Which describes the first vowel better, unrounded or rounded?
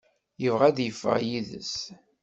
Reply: unrounded